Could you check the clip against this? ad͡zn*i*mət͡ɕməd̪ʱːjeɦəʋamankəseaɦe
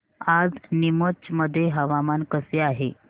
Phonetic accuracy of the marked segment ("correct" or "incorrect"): correct